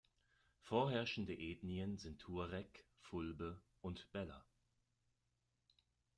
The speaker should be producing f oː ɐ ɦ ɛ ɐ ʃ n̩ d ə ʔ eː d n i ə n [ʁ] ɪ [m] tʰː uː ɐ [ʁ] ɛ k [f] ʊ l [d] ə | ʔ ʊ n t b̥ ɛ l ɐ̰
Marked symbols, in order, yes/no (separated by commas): no, no, yes, yes, no